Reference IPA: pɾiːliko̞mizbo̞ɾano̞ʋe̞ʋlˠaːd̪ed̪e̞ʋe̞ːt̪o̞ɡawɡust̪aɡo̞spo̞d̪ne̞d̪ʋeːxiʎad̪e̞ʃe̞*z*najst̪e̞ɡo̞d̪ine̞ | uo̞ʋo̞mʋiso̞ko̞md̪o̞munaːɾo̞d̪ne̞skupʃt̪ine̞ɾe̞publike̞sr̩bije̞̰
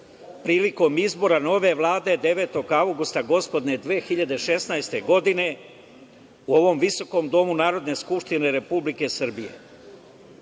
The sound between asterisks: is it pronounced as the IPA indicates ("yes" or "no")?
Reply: no